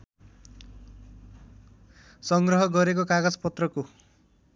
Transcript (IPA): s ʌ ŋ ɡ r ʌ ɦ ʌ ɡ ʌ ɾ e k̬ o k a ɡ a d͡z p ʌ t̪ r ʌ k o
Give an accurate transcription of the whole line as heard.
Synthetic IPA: s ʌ ŋ ɡ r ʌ ɦ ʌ ɡ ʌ ɾ e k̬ o k a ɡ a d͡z p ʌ t̪ r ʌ k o